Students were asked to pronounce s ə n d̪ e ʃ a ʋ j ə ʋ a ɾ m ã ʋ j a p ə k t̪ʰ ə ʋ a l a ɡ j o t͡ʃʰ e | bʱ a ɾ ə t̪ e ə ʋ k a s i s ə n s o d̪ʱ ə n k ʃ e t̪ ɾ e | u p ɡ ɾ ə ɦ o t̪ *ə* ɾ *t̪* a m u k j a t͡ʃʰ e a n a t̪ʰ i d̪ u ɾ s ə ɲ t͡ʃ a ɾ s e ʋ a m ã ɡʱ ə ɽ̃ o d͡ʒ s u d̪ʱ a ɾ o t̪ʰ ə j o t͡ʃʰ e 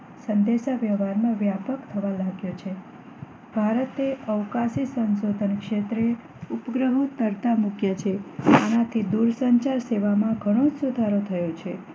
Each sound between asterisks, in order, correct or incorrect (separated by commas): correct, correct